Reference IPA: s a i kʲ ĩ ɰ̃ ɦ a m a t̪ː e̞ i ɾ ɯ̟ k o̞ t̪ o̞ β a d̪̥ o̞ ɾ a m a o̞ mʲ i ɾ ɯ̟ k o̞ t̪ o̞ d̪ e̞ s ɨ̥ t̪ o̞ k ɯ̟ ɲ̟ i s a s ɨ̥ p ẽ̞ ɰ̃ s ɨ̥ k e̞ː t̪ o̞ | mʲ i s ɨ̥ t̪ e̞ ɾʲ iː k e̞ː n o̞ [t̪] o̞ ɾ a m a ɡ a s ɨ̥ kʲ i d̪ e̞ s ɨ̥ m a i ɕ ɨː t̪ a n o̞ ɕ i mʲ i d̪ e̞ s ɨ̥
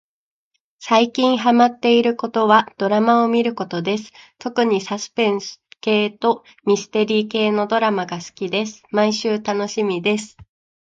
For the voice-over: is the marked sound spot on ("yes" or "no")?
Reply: no